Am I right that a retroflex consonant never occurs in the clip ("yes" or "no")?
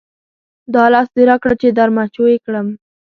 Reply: no